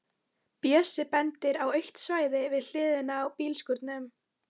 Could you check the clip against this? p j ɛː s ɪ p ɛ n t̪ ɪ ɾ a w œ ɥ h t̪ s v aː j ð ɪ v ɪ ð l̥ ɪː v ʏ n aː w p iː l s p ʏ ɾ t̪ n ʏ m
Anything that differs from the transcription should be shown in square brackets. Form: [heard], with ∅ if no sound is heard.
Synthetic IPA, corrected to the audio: p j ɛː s ɪ p ɛ n t̪ ɪ ɾ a w œ ɥ h t̪ s v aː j ð ɪ v ɪ ð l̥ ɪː [ð] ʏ n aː w p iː l s [k] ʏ ɾ t̪ n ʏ m